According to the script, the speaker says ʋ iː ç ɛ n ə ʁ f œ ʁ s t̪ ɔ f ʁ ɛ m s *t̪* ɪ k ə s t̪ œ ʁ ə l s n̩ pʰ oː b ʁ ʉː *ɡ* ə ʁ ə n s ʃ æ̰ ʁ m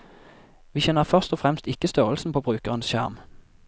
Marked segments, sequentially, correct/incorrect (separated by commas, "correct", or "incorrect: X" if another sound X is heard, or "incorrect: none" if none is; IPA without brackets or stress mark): correct, incorrect: k